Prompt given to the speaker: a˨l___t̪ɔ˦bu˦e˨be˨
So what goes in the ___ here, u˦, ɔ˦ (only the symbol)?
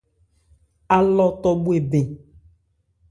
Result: ɔ˦